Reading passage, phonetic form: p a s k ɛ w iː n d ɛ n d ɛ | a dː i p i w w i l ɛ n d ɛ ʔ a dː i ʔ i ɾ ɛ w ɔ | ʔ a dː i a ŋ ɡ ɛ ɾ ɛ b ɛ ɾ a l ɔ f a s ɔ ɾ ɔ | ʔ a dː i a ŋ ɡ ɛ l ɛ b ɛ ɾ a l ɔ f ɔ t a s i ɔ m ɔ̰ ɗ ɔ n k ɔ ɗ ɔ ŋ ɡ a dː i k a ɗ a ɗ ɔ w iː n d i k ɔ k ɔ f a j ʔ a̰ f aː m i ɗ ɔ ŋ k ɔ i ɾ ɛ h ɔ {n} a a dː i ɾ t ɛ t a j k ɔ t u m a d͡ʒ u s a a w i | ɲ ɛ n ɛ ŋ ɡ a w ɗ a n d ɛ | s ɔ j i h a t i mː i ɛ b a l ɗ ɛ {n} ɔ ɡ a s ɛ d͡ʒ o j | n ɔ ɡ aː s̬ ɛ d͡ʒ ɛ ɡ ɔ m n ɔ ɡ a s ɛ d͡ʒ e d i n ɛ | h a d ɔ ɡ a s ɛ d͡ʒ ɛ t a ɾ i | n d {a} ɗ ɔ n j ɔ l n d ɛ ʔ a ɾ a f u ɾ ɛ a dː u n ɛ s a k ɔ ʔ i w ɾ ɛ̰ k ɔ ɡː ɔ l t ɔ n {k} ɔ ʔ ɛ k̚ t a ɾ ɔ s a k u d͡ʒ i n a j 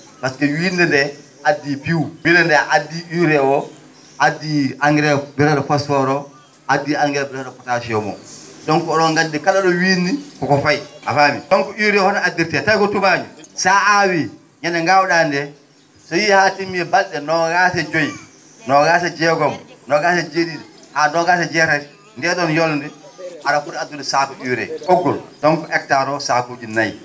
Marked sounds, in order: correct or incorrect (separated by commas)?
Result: correct, correct, incorrect, correct